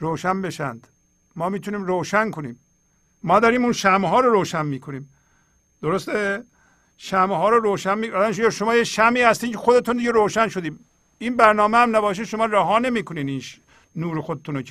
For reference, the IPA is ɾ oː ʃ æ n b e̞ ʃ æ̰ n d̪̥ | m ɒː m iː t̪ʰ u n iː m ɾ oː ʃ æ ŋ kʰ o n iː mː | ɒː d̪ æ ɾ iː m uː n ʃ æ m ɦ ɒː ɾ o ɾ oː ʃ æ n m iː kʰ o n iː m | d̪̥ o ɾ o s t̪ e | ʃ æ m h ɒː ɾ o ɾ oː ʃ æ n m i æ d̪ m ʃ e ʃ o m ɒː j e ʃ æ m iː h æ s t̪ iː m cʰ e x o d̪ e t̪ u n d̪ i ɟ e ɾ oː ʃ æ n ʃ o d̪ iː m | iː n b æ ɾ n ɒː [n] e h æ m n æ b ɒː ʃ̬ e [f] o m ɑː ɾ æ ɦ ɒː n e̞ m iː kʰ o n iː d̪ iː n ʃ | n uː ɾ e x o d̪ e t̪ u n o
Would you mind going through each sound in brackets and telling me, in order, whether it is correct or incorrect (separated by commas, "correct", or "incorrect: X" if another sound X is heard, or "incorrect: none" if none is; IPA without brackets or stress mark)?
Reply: incorrect: m, incorrect: ʃ